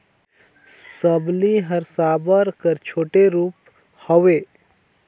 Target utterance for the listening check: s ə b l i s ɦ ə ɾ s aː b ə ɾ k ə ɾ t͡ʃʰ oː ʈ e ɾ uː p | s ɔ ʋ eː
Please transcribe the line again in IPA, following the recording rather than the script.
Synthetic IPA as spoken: s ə b l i ɦ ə ɾ s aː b ə ɾ k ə ɾ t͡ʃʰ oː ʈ e ɾ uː p | h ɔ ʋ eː